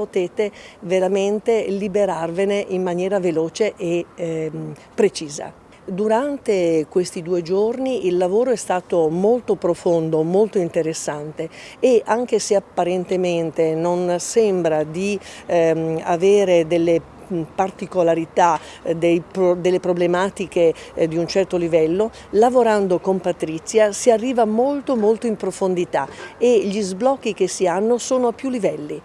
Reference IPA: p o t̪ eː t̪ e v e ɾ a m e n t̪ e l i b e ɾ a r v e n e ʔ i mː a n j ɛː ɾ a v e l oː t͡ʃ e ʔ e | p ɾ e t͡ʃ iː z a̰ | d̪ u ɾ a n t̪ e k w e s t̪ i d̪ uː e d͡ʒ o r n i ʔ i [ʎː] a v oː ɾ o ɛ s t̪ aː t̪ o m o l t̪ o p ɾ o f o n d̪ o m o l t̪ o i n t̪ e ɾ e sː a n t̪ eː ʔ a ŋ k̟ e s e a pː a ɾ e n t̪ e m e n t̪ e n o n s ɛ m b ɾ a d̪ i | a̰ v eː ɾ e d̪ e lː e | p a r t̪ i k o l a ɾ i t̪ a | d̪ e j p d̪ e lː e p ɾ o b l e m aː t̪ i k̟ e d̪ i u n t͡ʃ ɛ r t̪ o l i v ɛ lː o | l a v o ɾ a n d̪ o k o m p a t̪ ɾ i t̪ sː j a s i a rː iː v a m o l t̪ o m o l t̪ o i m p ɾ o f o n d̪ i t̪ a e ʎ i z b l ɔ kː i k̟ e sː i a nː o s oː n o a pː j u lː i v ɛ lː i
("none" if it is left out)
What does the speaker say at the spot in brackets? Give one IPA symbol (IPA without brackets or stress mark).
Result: lː